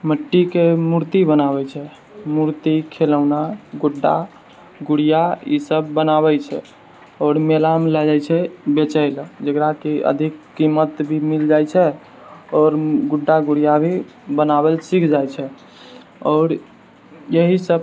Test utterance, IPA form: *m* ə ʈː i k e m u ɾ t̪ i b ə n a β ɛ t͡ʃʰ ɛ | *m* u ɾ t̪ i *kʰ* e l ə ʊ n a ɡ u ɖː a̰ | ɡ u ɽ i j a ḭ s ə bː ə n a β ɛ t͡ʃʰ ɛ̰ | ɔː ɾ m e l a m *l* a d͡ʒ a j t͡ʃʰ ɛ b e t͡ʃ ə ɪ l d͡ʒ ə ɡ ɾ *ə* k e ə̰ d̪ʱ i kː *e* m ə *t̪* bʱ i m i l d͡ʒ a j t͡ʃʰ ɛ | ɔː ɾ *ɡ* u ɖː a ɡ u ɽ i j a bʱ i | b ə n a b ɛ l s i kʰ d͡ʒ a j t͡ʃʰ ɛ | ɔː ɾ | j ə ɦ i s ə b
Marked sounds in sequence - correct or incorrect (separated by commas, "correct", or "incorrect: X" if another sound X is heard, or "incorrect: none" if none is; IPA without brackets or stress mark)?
correct, correct, correct, correct, incorrect: a, incorrect: i, correct, correct